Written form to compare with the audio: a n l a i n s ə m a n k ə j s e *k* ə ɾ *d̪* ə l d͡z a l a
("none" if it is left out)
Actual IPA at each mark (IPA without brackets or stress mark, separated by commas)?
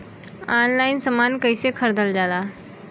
kʰ, d̪